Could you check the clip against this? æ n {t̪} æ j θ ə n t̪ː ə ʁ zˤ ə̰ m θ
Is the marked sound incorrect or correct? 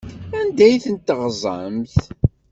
incorrect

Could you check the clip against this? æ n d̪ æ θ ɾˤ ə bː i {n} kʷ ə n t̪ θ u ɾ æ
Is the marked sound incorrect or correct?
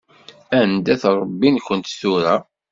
correct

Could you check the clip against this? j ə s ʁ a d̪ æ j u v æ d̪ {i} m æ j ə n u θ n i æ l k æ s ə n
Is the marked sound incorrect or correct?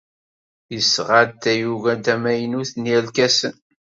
incorrect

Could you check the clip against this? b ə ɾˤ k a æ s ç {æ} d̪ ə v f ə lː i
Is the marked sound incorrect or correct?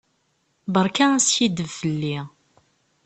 incorrect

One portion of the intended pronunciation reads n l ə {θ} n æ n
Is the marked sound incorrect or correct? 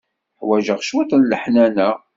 incorrect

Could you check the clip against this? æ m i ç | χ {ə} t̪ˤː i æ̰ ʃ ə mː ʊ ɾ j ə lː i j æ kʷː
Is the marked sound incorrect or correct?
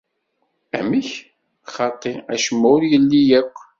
incorrect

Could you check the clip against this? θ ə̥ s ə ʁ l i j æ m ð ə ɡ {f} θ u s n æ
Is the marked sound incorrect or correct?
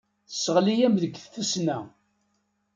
incorrect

